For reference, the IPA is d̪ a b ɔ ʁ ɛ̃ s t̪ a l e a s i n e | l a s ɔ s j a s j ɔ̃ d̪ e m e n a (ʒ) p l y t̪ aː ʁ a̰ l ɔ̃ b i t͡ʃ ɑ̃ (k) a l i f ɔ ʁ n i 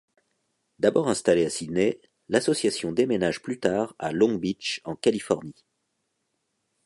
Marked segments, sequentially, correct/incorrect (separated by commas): correct, correct